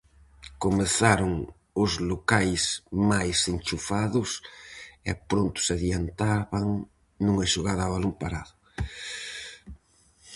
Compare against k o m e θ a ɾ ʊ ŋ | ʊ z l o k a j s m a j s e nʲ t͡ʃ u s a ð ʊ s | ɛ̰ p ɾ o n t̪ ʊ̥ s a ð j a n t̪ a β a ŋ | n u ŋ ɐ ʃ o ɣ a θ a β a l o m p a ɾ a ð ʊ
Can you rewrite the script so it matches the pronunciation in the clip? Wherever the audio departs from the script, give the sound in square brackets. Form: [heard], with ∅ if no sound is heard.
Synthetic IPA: k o m e θ a ɾ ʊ ŋ | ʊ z l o k a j s m a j s e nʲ t͡ʃ u [f] a ð ʊ s | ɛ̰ p ɾ o n t̪ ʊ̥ s a ð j a n t̪ a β a ŋ | n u ŋ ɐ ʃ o ɣ a [ð] a β a l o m p a ɾ a ð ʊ